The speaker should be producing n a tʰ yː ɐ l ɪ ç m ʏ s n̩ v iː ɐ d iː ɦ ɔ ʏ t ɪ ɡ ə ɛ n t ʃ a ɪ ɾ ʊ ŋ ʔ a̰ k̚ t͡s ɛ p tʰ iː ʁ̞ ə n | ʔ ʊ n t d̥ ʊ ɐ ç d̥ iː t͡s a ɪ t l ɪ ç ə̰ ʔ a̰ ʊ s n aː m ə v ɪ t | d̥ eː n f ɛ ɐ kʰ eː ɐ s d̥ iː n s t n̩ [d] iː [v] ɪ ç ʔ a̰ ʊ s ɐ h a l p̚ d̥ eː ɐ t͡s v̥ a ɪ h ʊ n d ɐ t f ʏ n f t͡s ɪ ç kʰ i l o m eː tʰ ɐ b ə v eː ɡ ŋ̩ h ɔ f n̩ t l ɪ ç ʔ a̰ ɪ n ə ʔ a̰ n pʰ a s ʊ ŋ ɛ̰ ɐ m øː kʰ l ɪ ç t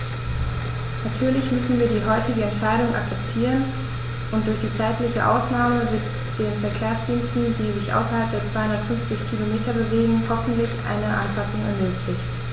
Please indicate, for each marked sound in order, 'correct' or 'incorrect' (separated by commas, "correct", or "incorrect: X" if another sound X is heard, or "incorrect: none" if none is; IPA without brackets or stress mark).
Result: correct, incorrect: z